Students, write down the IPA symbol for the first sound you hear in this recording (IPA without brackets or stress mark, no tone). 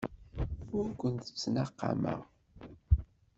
ʊ